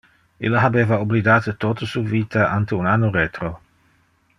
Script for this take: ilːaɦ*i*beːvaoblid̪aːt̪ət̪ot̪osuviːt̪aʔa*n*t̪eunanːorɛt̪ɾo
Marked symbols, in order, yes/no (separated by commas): no, yes